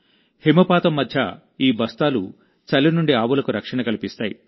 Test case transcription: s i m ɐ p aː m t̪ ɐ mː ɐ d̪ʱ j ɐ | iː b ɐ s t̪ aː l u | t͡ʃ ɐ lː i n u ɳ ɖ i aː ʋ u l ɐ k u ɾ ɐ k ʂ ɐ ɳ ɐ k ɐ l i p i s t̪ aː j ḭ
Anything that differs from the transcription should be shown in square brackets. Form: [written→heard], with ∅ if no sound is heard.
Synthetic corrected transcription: [s→h] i m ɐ p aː [m→∅] t̪ ɐ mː ɐ d̪ʱ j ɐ | iː b ɐ s t̪ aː l u | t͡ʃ ɐ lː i n u ɳ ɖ i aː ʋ u l ɐ k u ɾ ɐ k ʂ ɐ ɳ ɐ k ɐ l i p i s t̪ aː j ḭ